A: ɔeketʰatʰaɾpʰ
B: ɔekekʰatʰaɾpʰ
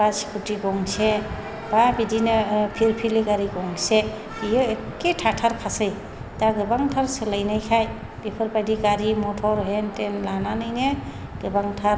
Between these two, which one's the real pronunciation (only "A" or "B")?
A